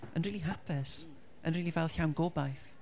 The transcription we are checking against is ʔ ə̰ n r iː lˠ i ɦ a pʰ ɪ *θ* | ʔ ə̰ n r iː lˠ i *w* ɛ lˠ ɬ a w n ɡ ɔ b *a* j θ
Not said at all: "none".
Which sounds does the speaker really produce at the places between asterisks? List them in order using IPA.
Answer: s, v, a

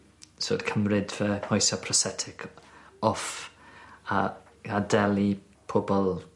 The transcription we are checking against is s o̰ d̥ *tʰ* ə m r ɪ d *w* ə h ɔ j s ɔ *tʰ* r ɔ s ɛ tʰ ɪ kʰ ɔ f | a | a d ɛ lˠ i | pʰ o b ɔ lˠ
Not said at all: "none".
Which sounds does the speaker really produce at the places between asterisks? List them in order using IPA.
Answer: kʰ, v, pʰ

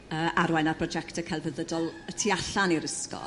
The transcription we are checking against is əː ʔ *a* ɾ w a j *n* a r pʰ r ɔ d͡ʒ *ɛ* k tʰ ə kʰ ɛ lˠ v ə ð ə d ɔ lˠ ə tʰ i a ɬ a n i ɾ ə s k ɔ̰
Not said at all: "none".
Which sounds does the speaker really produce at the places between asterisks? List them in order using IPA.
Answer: a, n, ɛ

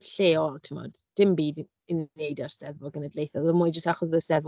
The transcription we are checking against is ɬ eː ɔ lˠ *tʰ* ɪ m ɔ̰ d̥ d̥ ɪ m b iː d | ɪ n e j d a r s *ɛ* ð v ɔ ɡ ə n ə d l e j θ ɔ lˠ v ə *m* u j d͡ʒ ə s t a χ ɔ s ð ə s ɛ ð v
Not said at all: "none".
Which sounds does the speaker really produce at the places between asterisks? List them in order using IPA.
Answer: tʰ, ɛ, m

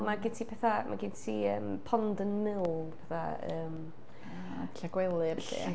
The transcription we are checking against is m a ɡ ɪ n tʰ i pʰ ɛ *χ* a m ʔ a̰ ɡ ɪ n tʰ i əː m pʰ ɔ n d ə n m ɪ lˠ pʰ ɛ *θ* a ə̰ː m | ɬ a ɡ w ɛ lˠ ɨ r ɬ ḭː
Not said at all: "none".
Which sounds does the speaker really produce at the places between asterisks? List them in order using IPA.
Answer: θ, θ

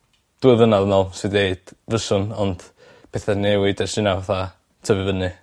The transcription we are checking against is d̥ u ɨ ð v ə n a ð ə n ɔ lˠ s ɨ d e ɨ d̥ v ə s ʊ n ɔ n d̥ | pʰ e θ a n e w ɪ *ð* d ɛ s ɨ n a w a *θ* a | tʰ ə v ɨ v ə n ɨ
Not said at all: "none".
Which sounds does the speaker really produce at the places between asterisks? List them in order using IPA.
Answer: none, θ

